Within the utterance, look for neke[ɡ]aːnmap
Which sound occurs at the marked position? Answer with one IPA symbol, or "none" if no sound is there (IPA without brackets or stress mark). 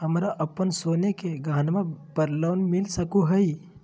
ɡ